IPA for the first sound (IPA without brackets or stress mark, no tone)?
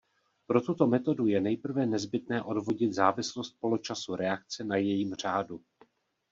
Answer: p